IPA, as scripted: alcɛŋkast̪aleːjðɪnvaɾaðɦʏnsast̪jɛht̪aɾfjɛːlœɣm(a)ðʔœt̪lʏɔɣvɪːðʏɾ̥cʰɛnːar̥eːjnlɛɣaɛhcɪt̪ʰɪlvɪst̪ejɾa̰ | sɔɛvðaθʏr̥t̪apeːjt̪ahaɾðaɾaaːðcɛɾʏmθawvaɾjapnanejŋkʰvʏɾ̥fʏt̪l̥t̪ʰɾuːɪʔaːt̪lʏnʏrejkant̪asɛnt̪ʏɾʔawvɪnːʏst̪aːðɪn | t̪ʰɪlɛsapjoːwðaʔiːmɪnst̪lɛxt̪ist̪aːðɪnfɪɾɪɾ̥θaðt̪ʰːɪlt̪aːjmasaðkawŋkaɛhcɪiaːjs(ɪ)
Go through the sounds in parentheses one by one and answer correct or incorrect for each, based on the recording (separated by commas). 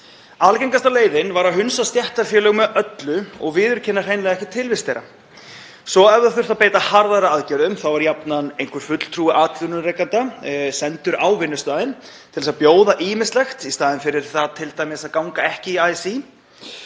incorrect, incorrect